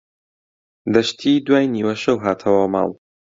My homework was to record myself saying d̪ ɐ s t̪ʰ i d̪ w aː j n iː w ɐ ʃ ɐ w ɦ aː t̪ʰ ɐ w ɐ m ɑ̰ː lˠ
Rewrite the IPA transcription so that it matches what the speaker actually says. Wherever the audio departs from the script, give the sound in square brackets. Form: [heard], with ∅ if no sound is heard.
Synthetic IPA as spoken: d̪ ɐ [ʃ] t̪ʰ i d̪ w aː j n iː w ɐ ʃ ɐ w ɦ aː t̪ʰ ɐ w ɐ m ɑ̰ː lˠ